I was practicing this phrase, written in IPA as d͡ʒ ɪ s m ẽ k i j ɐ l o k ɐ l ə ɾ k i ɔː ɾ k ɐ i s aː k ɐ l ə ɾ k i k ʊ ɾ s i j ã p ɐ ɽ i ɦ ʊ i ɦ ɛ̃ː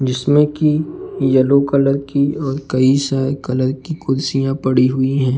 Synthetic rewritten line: d͡ʒ ɪ s m ẽ k i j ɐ l o k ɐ l ə ɾ k i ɔː ɾ k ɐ i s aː k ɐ l ə ɾ k i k ʊ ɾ s i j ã p ɐ ɽ i ɦ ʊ i ɦ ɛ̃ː